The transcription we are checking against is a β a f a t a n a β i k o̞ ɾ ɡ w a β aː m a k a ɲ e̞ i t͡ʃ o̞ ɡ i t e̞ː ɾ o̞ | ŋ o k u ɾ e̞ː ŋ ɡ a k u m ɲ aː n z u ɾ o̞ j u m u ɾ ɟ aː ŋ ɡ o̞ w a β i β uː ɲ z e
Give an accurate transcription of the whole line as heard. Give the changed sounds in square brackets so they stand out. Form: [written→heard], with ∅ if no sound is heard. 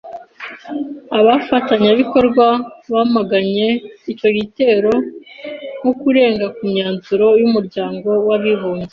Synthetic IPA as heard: a β a f a t a [n→ɲ] a β i k o̞ ɾ ɡ w a β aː m a [k→ɡ] a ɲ e̞ i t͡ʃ o̞ ɡ i t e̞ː ɾ o̞ | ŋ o k u ɾ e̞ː ŋ ɡ a k u m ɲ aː n z u ɾ o̞ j u m u ɾ ɟ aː ŋ ɡ o̞ w a β i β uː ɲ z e